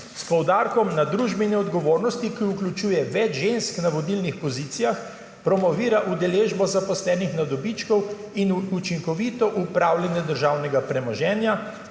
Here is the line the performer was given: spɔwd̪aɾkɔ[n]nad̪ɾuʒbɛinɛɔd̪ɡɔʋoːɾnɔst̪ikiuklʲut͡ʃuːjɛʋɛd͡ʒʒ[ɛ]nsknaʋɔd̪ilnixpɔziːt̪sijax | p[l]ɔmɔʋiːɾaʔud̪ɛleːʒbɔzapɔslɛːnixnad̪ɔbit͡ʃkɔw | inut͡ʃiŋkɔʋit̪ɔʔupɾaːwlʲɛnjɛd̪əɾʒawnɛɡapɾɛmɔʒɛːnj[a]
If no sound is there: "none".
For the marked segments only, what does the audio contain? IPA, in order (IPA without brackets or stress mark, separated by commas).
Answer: m, e, ɾ, a